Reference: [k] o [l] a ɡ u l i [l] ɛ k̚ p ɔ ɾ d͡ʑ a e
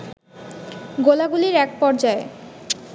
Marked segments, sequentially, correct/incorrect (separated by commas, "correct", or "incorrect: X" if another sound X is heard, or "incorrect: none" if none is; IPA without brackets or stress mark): incorrect: ɡ, correct, incorrect: ɾ